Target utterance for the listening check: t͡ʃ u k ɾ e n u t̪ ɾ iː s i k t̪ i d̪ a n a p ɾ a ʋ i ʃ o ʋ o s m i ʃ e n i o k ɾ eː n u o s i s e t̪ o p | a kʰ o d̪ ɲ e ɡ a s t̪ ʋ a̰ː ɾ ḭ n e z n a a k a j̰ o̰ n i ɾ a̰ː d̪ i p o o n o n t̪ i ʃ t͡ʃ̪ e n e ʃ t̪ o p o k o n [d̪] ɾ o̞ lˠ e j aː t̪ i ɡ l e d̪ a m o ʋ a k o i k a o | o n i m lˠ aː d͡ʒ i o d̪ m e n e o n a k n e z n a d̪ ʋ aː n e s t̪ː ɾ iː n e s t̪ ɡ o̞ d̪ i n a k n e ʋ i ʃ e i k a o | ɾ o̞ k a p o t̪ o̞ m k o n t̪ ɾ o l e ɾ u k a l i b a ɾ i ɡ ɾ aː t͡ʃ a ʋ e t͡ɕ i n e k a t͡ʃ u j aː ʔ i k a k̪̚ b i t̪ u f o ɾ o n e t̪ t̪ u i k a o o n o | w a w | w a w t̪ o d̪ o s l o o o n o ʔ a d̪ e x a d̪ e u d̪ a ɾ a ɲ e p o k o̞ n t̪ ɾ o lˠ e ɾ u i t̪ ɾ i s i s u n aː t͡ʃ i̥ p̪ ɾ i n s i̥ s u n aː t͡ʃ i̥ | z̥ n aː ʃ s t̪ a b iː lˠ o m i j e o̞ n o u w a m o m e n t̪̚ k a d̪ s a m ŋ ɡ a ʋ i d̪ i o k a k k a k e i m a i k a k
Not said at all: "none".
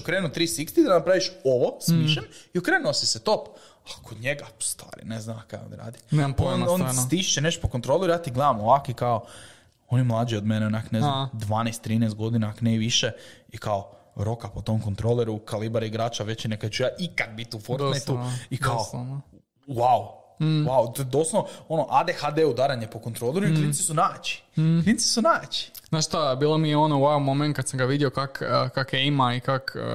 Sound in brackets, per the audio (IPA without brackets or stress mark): t̪